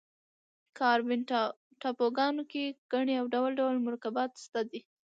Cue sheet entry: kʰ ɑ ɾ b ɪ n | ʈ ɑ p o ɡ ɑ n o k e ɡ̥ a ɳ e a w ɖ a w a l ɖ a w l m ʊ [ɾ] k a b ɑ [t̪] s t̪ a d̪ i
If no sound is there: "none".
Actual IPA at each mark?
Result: ɾ, t̪

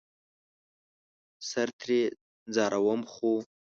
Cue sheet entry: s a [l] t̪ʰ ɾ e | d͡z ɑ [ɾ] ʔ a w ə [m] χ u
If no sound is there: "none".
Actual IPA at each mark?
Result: ɾ, ɾ, m

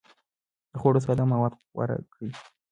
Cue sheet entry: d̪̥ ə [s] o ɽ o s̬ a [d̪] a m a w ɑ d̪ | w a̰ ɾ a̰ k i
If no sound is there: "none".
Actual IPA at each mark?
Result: x, d̪

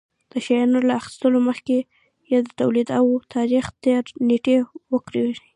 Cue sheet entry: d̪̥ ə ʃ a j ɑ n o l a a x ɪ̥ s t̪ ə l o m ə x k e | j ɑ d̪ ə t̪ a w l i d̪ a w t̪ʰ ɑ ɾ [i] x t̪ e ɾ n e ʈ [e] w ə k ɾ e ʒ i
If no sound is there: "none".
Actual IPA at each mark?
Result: i, e

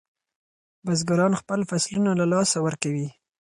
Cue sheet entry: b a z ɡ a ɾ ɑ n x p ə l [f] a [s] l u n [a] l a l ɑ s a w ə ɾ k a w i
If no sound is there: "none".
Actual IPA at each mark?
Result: f, s, a

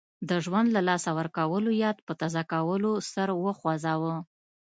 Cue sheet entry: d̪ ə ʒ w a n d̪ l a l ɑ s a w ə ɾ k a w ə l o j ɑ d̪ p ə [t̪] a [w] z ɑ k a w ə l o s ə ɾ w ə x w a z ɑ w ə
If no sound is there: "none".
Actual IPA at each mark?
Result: t̪, none

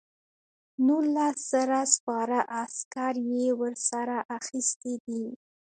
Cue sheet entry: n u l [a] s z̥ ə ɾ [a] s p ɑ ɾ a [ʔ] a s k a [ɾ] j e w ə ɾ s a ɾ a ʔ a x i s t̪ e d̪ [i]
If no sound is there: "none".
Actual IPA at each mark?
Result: a, a, ʔ, ɾ, i

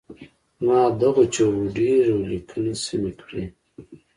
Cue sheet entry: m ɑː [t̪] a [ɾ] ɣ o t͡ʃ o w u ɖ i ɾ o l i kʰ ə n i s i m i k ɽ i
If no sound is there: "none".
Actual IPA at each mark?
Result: d̪, none

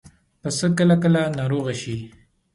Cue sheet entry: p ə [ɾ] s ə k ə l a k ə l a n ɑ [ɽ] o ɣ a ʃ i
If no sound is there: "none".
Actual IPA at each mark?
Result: none, ɾ

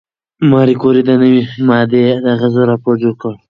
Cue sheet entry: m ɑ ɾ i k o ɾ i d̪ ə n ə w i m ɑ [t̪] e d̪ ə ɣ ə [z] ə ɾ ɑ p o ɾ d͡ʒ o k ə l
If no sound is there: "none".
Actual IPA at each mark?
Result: d̪, z

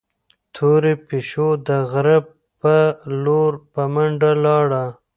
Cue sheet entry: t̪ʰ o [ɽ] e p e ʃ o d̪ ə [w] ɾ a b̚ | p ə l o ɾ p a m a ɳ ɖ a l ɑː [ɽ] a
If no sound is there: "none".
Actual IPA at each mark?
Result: ɾ, ɣ, ɽ

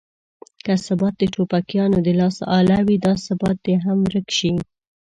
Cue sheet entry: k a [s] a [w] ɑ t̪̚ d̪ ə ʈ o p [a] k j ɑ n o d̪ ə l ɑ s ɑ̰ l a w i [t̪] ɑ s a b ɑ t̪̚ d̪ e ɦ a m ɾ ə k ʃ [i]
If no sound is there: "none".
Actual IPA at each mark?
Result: s, b, a, d̪, i

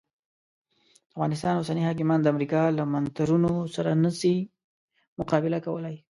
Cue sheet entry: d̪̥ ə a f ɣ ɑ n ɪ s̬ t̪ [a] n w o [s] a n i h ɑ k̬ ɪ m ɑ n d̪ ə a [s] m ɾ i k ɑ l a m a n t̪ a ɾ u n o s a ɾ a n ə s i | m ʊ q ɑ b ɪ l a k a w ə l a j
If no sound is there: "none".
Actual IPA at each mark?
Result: ɑ, s, none

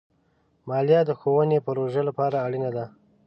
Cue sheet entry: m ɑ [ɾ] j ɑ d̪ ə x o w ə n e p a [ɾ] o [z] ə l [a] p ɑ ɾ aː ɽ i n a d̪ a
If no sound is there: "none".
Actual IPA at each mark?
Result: l, ɾ, ʒ, a

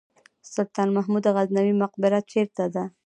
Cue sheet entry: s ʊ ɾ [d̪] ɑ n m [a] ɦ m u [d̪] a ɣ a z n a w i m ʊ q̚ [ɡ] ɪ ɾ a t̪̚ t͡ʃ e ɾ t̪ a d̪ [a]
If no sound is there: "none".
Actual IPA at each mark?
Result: t̪, a, d̪, b, a

